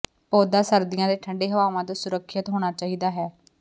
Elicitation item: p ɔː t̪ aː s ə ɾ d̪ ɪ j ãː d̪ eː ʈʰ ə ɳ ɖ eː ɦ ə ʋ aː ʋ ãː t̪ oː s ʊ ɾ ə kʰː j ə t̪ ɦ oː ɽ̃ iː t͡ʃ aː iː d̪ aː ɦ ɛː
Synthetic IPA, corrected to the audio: p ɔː d̪ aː s ə ɾ d̪ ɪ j ãː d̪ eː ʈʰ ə ɳ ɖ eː ɦ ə ʋ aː ʋ ãː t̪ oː s ʊ ɾ ə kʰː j ə t̪ ɦ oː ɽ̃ aː t͡ʃ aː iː d̪ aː ɦ ɛː